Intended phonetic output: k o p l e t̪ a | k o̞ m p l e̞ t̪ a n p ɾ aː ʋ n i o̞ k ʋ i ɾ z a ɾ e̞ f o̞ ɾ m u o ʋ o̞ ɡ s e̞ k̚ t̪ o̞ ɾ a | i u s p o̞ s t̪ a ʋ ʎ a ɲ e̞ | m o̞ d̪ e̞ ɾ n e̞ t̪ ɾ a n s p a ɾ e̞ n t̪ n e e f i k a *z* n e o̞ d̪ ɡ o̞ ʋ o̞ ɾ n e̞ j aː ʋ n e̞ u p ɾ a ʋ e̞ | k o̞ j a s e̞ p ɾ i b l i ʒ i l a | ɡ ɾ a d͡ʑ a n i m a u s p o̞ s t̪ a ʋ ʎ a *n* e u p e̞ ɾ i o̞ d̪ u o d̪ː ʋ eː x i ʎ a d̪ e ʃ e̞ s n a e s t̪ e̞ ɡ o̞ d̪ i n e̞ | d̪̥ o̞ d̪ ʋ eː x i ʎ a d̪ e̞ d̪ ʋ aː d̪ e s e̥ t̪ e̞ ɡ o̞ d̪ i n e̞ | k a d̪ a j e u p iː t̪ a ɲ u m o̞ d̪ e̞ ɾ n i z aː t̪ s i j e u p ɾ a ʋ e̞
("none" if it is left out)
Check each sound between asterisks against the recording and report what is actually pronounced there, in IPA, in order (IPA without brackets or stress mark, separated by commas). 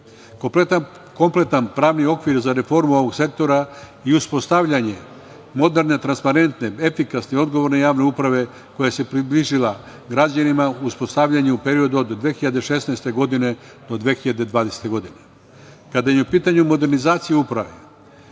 s, ɲ